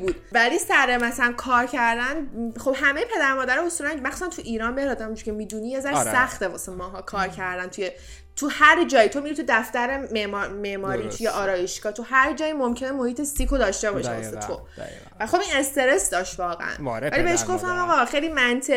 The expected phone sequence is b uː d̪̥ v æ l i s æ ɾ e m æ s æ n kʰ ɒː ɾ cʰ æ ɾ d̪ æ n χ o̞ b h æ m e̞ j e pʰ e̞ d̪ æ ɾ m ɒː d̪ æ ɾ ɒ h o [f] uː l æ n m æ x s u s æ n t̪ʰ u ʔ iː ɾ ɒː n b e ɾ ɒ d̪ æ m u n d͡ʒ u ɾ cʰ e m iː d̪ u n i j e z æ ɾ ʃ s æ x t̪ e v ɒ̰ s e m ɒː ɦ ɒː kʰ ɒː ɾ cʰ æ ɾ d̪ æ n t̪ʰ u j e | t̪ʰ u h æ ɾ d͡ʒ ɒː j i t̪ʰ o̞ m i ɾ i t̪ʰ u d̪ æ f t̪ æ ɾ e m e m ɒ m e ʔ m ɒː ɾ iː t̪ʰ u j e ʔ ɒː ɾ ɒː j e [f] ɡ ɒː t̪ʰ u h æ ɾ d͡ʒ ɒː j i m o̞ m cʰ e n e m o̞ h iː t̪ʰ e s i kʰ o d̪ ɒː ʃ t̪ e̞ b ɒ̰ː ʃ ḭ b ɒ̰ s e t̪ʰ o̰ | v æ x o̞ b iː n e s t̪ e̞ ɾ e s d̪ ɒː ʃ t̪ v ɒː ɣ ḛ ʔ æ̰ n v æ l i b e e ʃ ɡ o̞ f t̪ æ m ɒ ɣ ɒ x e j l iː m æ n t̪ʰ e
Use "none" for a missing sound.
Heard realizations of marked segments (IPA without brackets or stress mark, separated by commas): s, ʃ